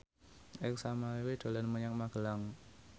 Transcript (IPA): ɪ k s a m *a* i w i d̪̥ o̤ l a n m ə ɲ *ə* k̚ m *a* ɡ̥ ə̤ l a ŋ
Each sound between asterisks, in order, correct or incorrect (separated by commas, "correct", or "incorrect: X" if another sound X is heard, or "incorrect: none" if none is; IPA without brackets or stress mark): correct, incorrect: a, correct